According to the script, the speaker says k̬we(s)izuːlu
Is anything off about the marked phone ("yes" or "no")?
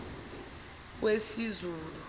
no